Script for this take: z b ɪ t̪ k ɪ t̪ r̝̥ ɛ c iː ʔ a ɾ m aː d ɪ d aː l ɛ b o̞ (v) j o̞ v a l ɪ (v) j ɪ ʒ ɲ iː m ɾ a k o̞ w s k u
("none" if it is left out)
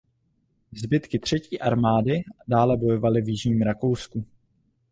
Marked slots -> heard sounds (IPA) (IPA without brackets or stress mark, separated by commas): none, v